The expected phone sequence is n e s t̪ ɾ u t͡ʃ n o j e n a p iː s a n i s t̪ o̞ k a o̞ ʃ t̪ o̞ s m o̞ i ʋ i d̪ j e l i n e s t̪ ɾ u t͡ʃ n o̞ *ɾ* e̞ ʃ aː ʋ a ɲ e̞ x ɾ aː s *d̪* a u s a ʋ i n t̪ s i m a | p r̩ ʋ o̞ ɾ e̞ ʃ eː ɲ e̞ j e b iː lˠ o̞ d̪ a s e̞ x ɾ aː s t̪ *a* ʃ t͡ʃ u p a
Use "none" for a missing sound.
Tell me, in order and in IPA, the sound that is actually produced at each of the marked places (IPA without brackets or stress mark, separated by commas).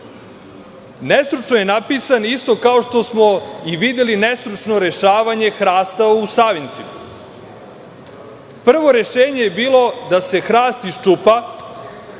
ɾ, t̪, i